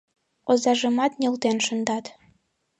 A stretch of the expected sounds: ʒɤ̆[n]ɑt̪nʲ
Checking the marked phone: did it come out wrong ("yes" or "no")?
yes